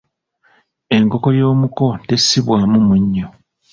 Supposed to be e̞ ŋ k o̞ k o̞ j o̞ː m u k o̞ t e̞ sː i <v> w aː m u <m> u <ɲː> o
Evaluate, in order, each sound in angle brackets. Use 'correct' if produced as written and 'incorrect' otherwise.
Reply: incorrect: β, correct, correct

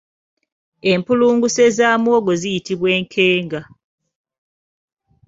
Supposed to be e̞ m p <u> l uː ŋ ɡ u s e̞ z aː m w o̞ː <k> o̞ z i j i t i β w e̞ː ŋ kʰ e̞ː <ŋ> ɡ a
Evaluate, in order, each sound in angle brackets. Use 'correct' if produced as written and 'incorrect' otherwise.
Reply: correct, incorrect: ɡ, correct

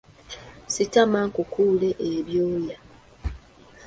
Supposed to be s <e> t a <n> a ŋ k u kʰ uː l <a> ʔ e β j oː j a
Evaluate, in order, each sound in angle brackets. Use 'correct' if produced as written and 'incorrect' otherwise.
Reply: incorrect: i, incorrect: m, incorrect: e

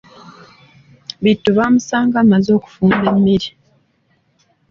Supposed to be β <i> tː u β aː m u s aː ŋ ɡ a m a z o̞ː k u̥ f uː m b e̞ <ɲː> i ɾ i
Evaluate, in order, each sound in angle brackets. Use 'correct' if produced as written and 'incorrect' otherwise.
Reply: correct, incorrect: mː

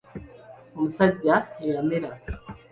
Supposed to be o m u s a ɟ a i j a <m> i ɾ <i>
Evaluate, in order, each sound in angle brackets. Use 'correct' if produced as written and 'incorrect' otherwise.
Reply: correct, incorrect: a

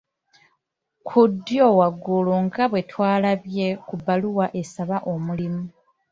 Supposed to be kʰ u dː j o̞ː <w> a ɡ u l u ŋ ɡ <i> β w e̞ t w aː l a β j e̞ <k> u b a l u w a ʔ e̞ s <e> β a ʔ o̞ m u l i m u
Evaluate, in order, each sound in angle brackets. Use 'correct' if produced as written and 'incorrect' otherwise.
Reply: correct, incorrect: a, correct, incorrect: a

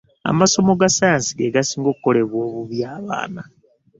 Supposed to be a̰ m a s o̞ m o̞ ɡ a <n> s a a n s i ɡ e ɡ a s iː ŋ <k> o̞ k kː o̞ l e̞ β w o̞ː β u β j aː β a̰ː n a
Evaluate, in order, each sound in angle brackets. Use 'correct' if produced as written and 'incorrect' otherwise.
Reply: incorrect: none, incorrect: ɡ

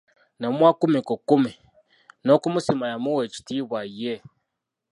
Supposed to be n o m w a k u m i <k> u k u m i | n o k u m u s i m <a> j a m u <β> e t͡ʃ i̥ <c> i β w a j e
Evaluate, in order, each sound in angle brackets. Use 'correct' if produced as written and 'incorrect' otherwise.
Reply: correct, correct, incorrect: w, incorrect: t

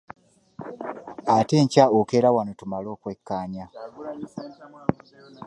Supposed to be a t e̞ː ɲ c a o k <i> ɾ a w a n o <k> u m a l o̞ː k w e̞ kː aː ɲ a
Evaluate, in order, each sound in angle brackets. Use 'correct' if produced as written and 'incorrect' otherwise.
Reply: incorrect: e, incorrect: t

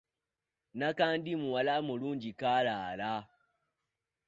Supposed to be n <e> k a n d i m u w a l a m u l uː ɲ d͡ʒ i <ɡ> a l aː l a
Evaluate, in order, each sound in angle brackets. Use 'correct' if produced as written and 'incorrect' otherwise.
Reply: incorrect: a, incorrect: k

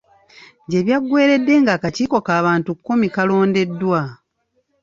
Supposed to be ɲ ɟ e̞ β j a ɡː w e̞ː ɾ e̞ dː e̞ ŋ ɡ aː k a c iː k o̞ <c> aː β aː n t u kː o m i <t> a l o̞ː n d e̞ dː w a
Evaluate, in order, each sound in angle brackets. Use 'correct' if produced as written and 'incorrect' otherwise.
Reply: incorrect: k, incorrect: k

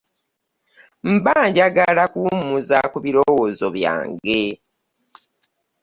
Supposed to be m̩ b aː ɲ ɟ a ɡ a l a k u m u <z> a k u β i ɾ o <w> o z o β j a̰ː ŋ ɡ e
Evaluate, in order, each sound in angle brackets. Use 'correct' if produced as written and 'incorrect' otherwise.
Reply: correct, correct

